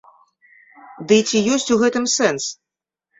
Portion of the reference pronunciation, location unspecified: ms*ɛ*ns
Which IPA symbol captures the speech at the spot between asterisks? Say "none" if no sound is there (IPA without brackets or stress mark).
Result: ɛ